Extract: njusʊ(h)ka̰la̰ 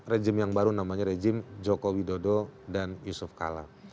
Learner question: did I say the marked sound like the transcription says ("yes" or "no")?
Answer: no